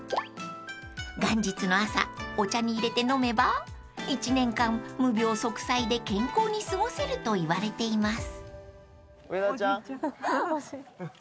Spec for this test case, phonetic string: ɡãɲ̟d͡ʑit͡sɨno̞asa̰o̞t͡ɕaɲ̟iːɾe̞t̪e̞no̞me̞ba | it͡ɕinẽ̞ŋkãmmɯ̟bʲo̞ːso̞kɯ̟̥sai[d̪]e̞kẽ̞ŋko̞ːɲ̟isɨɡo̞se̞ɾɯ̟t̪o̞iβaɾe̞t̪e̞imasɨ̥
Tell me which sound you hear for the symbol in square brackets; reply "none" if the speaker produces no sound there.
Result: d̪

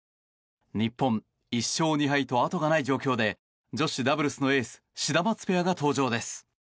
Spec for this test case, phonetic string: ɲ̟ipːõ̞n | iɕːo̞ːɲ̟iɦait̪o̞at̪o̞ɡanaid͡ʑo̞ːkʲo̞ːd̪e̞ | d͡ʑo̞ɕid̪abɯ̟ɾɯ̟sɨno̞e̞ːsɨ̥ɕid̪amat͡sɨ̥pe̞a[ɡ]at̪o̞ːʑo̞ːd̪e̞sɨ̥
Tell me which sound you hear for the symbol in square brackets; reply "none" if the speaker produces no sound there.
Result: ɡ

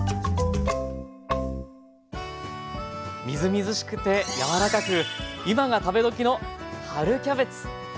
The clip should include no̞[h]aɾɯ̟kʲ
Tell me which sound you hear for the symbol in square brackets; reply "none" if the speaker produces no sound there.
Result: h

